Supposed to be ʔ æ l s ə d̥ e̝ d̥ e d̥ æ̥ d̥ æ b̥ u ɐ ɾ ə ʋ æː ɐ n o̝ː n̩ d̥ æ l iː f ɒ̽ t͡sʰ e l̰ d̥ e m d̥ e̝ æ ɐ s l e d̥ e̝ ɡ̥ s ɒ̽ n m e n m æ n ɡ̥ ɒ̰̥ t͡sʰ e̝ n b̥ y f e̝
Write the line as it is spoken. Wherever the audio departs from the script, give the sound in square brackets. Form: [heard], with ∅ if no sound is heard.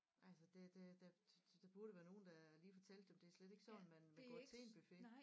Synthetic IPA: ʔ æ l s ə d̥ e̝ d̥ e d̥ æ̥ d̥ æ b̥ u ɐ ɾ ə ʋ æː ɐ n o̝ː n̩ d̥ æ l iː f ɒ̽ t͡sʰ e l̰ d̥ e m d̥ e̝ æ ɐ s l e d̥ e̝ ɡ̥ s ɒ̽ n m [æ] n m æ n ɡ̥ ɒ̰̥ t͡sʰ e̝ n b̥ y f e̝